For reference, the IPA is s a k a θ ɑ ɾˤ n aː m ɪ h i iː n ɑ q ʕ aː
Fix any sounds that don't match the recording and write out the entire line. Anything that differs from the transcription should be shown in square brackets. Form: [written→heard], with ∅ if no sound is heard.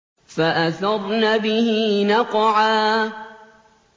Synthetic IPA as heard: [s→f] a [k→ʔ] a θ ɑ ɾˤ n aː [m→b] ɪ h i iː n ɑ q ʕ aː